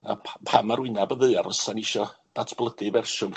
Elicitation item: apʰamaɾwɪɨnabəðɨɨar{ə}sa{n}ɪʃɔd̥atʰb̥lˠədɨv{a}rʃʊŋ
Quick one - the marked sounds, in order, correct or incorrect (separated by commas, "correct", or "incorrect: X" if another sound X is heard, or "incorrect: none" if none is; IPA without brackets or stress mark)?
correct, correct, incorrect: ɛ